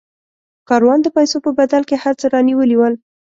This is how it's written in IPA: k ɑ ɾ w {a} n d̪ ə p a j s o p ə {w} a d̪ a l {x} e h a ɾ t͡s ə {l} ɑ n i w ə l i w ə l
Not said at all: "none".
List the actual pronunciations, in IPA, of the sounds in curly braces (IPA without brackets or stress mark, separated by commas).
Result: ɑ, b, k, ɾ